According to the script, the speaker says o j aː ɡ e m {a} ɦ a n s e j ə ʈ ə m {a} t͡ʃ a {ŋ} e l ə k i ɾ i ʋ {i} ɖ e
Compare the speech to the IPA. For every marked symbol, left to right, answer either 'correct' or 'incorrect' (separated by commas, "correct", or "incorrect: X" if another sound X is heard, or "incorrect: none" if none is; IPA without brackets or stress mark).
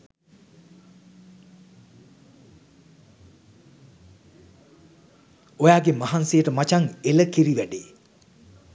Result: correct, correct, correct, incorrect: æ